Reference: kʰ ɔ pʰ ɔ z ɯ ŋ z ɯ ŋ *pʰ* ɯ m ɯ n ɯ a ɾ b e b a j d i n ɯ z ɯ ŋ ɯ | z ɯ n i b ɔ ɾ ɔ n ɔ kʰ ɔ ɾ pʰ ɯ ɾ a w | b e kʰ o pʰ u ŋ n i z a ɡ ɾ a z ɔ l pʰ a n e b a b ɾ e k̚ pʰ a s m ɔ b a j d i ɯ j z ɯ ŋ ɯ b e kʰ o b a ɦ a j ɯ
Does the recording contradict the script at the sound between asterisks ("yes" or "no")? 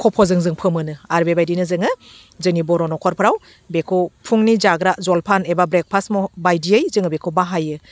no